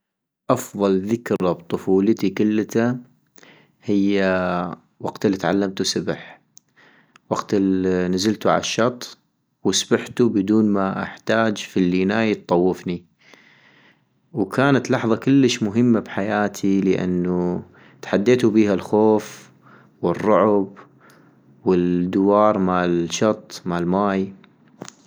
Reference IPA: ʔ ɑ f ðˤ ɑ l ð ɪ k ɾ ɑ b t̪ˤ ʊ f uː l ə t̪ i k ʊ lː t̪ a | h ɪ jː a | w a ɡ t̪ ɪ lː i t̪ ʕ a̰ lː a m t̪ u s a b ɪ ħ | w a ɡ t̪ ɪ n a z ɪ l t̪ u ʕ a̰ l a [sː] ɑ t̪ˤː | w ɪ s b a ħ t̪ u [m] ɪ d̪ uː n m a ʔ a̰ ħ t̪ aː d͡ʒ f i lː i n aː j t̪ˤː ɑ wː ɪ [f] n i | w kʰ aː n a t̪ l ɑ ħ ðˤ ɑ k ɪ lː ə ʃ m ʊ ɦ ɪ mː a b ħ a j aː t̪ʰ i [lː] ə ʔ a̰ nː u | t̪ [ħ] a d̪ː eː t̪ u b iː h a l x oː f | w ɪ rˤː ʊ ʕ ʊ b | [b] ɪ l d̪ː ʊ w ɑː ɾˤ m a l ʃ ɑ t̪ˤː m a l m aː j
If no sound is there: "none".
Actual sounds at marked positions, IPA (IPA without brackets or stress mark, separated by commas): ʃː, b, f, l, ħ, w